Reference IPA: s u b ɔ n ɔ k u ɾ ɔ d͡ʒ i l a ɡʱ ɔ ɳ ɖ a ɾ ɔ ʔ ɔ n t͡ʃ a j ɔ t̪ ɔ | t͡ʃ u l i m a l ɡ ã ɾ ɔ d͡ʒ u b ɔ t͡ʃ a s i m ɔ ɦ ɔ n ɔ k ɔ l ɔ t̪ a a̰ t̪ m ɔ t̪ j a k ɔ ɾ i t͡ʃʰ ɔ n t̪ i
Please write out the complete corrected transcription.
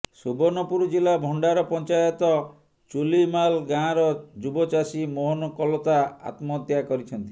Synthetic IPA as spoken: s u b ɔ n ɔ p u ɾ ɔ d͡ʒ i l a bʱ ɔ ɳ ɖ a ɾ ɔ p ɔ n t͡ʃ a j ɔ t̪ ɔ | t͡ʃ u l i m a l ɡ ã ɾ ɔ d͡ʒ u b ɔ t͡ʃ a s i m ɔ ɦ ɔ n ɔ k ɔ l ɔ t̪ a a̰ t̪ m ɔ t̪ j a k ɔ ɾ i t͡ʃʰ ɔ n t̪ i